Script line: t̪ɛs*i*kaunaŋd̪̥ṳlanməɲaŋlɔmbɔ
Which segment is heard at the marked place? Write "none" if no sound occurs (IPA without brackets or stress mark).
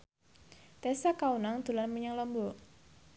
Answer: a